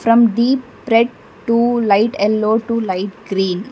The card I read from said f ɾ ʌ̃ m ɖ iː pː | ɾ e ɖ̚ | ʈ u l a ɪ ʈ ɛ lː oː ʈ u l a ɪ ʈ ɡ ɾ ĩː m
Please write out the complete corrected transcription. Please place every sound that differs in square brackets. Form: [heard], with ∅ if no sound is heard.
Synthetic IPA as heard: f ɾ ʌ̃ m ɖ iː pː | ɾ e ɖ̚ | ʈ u l a ɪ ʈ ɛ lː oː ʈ u l a ɪ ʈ ɡ ɾ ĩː [n]